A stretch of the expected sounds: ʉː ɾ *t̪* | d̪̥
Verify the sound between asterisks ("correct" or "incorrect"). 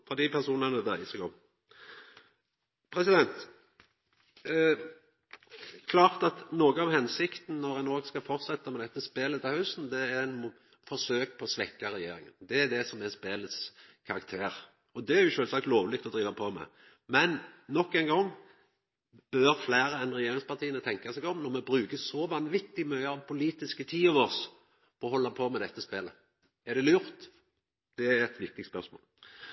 correct